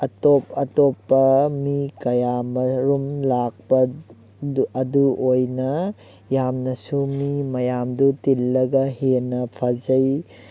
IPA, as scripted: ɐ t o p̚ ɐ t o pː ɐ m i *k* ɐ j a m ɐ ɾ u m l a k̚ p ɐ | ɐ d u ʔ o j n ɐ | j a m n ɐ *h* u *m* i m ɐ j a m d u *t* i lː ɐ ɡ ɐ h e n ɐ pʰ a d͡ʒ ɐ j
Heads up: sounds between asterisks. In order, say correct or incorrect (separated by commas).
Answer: correct, incorrect, correct, correct